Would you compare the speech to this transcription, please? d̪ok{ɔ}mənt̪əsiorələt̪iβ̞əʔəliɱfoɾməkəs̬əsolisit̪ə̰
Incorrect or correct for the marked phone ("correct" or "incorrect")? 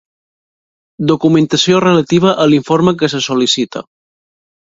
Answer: incorrect